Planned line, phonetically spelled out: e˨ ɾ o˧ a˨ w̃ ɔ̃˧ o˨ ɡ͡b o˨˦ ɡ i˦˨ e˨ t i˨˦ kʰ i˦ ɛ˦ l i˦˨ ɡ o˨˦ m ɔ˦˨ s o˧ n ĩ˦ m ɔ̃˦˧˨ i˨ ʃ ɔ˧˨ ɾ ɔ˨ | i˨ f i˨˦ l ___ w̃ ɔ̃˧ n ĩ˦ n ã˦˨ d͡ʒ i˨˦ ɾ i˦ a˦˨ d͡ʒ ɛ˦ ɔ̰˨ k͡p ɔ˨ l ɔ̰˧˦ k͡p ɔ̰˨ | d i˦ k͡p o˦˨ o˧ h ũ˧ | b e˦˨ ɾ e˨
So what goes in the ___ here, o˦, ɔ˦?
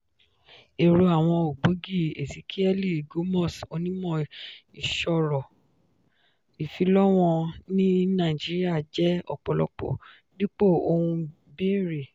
ɔ˦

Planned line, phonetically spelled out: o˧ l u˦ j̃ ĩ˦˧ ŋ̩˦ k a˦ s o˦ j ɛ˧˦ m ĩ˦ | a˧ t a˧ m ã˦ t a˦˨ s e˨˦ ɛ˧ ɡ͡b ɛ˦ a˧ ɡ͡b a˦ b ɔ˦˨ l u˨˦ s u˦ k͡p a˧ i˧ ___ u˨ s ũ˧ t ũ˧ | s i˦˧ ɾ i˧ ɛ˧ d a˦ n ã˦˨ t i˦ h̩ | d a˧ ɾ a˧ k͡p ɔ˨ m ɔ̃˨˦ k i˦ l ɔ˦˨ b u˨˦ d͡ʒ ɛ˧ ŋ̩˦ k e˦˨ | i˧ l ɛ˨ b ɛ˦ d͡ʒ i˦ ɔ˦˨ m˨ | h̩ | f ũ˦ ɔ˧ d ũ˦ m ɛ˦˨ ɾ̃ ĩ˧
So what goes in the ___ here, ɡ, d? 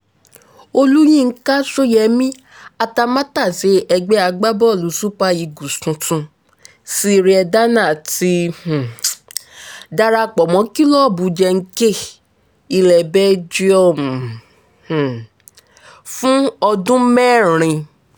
ɡ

